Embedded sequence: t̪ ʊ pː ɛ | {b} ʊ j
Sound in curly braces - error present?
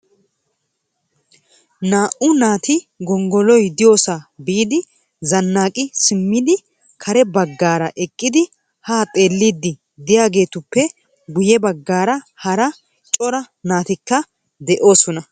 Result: yes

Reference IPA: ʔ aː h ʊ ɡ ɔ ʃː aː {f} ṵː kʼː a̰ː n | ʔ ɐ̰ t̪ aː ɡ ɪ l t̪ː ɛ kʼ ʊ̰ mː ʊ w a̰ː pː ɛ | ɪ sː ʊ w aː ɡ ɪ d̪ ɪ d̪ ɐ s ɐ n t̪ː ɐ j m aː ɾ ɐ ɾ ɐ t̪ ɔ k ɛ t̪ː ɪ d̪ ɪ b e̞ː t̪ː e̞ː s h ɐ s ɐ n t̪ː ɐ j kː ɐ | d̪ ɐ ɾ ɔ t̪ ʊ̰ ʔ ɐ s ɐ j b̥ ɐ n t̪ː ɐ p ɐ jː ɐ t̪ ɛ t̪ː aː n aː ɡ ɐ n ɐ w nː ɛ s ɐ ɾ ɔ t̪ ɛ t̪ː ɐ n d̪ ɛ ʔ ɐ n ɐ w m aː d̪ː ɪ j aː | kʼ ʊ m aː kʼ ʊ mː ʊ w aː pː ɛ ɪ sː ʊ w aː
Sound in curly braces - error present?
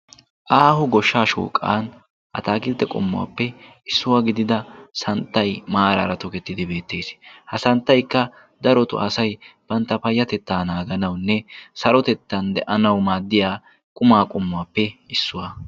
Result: yes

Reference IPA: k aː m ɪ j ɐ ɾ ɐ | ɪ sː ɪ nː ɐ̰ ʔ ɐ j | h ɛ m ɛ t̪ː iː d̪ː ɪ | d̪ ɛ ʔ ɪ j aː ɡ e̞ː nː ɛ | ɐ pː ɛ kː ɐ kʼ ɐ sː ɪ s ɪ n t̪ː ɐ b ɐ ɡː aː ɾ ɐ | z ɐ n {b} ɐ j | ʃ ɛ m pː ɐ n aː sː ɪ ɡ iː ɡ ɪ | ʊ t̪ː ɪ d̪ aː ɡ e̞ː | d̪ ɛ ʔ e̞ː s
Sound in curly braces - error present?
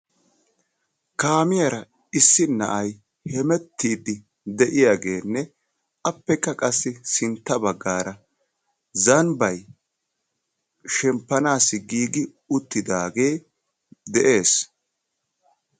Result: no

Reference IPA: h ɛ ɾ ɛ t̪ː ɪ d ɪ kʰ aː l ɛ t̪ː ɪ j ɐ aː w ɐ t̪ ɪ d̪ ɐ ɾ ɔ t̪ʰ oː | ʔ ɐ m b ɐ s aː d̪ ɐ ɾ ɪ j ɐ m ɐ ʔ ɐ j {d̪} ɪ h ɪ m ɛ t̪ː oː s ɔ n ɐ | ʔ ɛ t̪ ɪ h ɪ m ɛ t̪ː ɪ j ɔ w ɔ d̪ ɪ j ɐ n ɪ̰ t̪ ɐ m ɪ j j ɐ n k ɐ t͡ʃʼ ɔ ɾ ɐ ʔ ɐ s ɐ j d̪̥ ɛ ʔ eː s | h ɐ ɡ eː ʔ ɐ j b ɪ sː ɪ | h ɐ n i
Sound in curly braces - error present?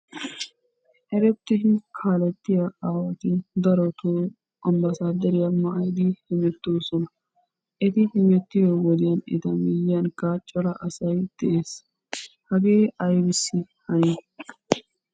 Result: no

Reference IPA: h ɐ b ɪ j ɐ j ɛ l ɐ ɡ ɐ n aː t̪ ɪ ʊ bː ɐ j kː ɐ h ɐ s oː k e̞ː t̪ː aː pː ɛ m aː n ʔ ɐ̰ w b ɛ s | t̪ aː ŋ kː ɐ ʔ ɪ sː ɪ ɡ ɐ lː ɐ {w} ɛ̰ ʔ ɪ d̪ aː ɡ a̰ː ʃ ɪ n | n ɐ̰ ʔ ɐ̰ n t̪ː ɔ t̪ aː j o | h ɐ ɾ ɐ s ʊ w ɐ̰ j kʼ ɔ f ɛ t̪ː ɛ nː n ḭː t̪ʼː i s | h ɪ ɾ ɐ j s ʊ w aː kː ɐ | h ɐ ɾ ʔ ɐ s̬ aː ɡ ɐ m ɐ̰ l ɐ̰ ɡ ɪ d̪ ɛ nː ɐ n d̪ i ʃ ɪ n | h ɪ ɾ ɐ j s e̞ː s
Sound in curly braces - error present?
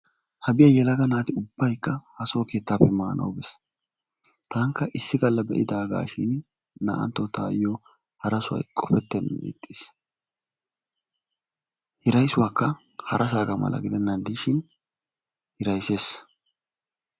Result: yes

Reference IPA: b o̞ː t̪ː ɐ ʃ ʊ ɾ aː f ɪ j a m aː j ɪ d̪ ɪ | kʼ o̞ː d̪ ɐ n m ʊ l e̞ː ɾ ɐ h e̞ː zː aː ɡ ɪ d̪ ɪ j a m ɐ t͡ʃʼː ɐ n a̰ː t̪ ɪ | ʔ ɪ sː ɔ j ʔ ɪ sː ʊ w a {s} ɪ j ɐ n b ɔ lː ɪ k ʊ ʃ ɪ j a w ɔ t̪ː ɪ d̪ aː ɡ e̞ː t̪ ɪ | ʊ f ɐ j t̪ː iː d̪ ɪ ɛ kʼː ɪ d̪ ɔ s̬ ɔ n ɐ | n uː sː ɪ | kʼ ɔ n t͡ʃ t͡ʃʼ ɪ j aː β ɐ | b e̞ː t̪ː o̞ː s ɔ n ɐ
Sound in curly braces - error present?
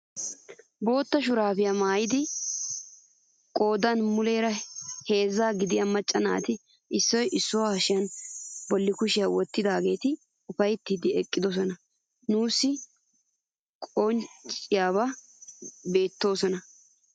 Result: yes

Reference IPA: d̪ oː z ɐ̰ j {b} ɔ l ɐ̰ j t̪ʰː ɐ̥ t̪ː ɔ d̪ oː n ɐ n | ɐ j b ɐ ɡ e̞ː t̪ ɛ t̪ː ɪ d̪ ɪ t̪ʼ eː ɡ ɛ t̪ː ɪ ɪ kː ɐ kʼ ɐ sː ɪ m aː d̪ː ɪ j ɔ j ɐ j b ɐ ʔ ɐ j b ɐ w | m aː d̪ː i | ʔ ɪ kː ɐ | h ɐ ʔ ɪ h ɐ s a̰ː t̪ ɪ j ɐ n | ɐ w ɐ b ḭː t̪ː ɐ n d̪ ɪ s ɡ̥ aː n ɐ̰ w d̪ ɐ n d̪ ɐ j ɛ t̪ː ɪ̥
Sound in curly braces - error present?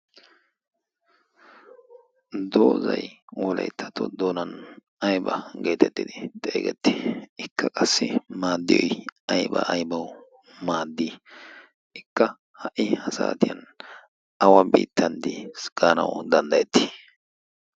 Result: yes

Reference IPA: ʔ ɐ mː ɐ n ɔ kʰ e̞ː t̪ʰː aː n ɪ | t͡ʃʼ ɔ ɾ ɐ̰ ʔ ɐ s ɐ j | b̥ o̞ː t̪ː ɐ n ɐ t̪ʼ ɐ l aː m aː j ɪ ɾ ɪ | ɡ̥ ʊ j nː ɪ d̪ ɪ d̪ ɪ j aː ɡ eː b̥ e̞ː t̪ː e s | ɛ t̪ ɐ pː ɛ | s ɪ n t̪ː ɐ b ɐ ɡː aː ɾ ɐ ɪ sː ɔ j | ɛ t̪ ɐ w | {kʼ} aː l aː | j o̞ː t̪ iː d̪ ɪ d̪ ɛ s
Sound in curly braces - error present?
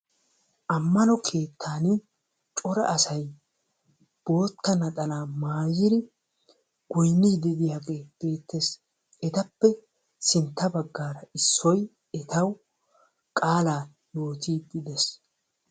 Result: no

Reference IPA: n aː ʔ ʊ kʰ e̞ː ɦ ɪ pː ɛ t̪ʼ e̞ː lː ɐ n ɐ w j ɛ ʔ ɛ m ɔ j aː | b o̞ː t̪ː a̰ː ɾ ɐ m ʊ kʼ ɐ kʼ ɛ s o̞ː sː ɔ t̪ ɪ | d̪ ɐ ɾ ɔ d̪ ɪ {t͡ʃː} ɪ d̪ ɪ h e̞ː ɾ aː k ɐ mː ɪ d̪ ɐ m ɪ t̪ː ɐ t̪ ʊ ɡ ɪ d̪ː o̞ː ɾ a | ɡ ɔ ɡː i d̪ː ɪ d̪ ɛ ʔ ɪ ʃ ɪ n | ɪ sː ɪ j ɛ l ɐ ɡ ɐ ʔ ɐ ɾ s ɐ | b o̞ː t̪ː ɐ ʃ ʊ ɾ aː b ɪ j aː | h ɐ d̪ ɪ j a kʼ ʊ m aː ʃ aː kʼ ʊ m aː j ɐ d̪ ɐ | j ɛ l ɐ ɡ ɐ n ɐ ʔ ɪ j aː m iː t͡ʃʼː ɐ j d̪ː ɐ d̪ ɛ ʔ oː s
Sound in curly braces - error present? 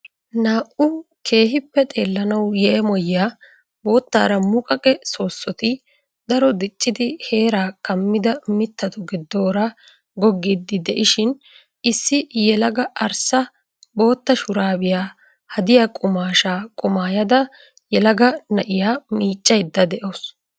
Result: yes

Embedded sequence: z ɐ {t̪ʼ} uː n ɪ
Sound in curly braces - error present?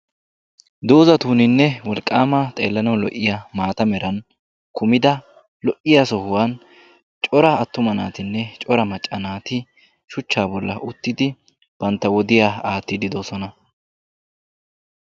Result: yes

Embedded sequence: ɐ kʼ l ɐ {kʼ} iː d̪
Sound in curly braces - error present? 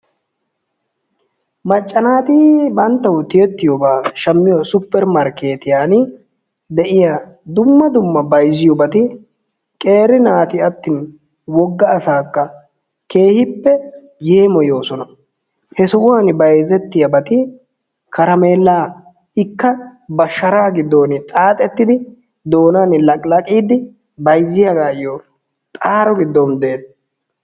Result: no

